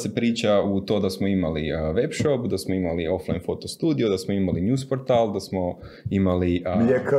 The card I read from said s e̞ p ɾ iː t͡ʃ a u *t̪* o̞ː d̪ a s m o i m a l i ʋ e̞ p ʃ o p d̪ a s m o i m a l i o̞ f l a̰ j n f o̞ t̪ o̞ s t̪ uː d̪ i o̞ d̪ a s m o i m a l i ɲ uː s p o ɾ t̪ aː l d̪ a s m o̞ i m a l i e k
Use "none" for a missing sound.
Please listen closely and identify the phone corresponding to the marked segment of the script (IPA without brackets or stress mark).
t̪